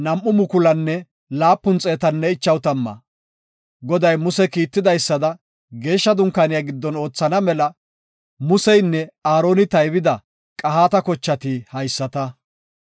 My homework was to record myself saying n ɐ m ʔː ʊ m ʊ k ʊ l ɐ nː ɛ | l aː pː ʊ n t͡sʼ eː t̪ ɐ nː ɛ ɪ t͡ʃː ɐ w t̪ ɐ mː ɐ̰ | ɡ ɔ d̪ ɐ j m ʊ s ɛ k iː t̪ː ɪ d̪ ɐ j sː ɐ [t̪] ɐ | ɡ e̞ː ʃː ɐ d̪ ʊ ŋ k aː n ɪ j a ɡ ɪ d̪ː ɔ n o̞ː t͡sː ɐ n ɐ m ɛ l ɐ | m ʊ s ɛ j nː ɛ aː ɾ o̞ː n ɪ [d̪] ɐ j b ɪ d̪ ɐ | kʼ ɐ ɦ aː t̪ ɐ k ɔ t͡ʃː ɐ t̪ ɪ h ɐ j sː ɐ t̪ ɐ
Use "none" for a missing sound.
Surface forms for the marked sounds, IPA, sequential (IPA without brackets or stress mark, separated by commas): d̪, t̪